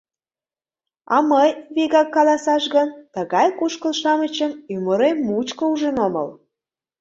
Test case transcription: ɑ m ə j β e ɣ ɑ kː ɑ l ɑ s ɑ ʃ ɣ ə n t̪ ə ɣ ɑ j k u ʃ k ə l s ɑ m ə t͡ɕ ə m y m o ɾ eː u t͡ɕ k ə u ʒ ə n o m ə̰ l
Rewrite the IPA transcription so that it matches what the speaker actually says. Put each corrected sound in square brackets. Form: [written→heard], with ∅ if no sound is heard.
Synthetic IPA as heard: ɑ m ə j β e ɣ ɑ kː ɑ l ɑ s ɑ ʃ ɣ ə n t̪ ə ɣ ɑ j k u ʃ k ə l [s→ʃ] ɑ m ə t͡ɕ ə m y m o ɾ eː u t͡ɕ k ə u ʒ ə n o m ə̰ l